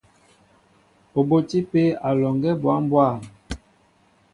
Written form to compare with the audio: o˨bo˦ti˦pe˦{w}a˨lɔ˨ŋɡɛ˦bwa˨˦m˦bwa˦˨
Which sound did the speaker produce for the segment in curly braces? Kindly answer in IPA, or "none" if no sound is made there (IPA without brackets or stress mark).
none